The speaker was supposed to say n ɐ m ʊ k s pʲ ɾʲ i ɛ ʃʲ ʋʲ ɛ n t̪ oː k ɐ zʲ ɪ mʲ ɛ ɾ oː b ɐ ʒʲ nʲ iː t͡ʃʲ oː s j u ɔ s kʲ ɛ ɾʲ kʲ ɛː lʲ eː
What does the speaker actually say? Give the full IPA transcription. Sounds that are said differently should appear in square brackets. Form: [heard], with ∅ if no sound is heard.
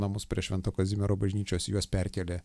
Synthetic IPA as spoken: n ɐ m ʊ [∅] s pʲ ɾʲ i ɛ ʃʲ ʋʲ ɛ n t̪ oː k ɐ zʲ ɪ mʲ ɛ ɾ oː b ɐ ʒʲ nʲ iː t͡ʃʲ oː s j u ɔ s [pʲ] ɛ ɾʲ kʲ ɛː lʲ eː

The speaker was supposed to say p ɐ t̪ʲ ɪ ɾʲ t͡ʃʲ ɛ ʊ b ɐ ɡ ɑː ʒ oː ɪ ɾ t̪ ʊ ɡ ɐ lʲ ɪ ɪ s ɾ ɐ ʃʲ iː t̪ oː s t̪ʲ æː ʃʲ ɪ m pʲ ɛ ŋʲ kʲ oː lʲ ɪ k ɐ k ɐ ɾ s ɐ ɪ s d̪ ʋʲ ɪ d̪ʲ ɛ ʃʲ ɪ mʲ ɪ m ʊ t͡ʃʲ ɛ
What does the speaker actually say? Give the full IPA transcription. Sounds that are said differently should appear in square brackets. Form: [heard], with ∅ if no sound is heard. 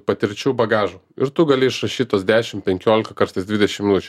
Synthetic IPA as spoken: p ɐ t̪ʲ ɪ ɾʲ t͡ʃʲ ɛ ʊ b ɐ ɡ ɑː ʒ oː ɪ ɾ t̪ ʊ ɡ ɐ lʲ ɪ ɪ [ʃ] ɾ ɐ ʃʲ iː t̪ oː s [d̪ʲ] æː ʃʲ ɪ m pʲ ɛ ŋʲ kʲ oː lʲ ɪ k ɐ k ɐ ɾ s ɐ ɪ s d̪ ʋʲ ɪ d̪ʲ ɛ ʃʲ ɪ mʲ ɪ [n] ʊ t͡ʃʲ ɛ

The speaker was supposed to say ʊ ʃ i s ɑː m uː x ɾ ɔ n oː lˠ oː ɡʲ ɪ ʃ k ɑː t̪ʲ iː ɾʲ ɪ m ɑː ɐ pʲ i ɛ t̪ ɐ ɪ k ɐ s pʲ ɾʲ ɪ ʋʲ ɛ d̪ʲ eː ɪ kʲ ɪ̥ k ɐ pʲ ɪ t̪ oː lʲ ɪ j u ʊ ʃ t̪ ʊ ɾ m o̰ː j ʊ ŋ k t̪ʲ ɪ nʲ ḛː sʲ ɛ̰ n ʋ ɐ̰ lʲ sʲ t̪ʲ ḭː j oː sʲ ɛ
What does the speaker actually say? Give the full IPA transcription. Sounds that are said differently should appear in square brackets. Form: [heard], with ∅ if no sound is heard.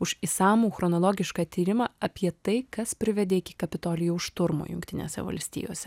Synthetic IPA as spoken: ʊ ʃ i s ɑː m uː x ɾ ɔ n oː lˠ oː ɡʲ ɪ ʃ k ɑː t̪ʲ iː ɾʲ ɪ m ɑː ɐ pʲ i ɛ t̪ ɐ ɪ k ɐ s pʲ ɾʲ ɪ ʋʲ ɛ d̪ʲ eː ɪ kʲ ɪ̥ k ɐ pʲ ɪ t̪ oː lʲ ɪ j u ʊ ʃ t̪ ʊ ɾ m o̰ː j ʊ ŋ k t̪ʲ ɪ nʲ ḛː sʲ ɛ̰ [∅] ʋ ɐ̰ lʲ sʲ t̪ʲ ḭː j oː sʲ ɛ

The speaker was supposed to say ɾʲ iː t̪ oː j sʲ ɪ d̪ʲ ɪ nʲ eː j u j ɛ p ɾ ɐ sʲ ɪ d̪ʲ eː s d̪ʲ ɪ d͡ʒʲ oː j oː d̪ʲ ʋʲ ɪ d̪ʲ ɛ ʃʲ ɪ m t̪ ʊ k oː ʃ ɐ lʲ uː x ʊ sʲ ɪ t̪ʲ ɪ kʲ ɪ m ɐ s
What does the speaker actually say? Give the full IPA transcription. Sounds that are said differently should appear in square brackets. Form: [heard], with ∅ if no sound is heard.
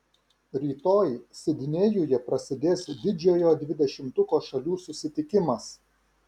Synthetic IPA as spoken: ɾʲ iː t̪ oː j sʲ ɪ d̪ʲ ɪ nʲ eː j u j ɛ p ɾ ɐ sʲ ɪ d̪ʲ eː s d̪ʲ ɪ d͡ʒʲ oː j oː d̪ʲ ʋʲ ɪ d̪ʲ ɛ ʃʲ ɪ m t̪ ʊ k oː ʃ ɐ lʲ uː [s] ʊ sʲ ɪ t̪ʲ ɪ kʲ ɪ m ɐ s

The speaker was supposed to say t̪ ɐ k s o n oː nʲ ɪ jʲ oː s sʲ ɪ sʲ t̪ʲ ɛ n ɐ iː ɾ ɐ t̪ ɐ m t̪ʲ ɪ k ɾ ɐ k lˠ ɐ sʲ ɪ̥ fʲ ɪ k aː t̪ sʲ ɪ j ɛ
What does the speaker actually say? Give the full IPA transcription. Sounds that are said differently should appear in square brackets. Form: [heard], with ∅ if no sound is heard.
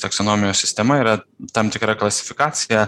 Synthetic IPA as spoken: t̪ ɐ k s o n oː [mʲ] ɪ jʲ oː s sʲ ɪ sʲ t̪ʲ ɛ [m] ɐ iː ɾ ɐ t̪ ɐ m t̪ʲ ɪ k ɾ ɐ k lˠ ɐ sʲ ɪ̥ fʲ ɪ k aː t̪ sʲ ɪ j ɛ

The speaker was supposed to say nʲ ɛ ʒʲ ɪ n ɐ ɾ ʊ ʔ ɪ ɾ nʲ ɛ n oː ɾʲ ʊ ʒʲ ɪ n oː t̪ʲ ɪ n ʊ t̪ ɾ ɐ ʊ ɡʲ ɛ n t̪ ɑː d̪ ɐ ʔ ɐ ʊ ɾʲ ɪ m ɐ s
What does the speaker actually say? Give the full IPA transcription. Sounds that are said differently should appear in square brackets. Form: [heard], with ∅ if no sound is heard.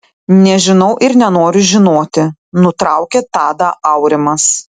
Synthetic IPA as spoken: nʲ ɛ ʒʲ ɪ n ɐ [∅] ʊ ʔ ɪ ɾ nʲ ɛ n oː ɾʲ ʊ ʒʲ ɪ n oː t̪ʲ ɪ n ʊ t̪ ɾ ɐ ʊ [kʲ] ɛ [∅] t̪ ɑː d̪ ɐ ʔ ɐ ʊ ɾʲ ɪ m ɐ s

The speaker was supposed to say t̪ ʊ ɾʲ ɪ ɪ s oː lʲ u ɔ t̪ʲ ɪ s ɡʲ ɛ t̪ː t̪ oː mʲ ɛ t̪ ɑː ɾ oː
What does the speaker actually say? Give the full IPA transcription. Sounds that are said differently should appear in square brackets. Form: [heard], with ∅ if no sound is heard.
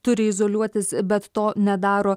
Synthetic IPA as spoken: t̪ ʊ ɾʲ ɪ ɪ [z] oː lʲ u ɔ t̪ʲ ɪ s [bʲ] ɛ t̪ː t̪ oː [nʲ] ɛ [d̪] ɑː ɾ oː

